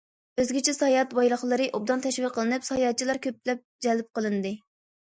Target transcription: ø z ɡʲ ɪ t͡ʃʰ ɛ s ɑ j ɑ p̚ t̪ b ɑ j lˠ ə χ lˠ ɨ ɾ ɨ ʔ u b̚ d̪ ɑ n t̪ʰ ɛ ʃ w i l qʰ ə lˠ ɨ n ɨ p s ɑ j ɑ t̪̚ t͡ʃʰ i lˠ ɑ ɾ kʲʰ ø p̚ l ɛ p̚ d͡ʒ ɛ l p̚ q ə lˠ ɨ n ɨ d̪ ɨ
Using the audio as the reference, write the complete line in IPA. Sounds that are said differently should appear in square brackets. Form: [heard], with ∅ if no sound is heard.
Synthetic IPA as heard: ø z ɡʲ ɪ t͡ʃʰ ɛ s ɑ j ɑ [∅] t̪ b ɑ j lˠ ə χ lˠ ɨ ɾ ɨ ʔ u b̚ d̪ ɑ n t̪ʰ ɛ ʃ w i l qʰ ə lˠ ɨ n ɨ p s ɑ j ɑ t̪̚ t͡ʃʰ i lˠ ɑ ɾ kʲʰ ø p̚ l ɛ p̚ d͡ʒ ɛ l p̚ q ə lˠ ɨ n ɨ d̪ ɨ